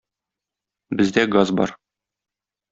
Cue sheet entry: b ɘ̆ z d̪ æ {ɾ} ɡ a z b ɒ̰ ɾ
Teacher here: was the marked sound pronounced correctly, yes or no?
no